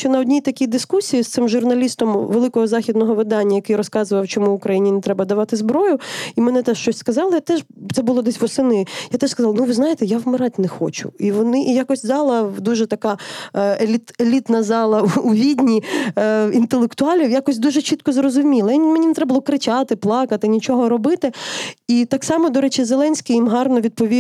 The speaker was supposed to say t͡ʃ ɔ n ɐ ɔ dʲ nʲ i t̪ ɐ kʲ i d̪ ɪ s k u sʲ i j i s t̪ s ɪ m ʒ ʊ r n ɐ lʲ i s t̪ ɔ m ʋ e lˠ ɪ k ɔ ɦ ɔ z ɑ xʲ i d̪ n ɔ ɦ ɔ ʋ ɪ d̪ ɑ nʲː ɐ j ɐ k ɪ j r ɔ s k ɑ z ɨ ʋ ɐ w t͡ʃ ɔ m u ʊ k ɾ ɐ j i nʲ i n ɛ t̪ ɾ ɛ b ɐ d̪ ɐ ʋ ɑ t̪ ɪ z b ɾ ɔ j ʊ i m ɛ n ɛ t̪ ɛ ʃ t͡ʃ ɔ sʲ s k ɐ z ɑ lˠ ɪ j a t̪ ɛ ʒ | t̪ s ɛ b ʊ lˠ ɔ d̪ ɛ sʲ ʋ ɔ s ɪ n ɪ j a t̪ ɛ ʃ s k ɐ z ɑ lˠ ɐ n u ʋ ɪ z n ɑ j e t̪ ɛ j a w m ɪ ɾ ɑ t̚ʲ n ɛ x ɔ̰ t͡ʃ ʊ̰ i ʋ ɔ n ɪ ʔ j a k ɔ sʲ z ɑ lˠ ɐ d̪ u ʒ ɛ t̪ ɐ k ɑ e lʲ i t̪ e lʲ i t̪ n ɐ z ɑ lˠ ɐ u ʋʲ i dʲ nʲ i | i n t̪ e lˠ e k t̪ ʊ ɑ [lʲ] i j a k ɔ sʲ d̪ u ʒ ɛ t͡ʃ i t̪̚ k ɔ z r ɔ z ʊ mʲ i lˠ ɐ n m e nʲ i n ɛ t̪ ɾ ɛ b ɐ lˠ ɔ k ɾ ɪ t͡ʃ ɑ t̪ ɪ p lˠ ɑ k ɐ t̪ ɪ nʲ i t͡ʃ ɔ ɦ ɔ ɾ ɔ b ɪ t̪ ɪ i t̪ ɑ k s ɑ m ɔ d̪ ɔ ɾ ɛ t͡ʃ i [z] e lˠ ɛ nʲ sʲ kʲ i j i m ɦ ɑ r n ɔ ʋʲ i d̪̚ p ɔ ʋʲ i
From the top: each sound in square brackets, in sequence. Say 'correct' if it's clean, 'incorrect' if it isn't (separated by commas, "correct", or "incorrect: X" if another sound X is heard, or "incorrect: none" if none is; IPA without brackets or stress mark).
correct, correct